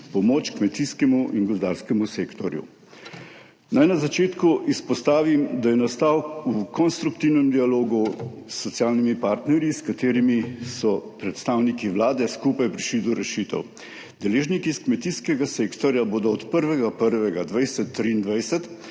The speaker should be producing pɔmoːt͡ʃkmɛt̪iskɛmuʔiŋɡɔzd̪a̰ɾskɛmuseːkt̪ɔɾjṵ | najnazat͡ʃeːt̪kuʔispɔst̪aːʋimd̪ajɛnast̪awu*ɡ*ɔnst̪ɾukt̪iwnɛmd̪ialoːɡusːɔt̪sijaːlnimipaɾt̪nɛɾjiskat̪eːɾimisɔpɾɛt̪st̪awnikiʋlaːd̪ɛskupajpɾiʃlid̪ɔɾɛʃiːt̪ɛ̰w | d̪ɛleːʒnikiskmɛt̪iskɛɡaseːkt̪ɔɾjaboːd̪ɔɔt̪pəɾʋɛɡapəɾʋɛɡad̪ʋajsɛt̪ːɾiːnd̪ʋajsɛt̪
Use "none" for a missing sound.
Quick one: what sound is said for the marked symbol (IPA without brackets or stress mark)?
k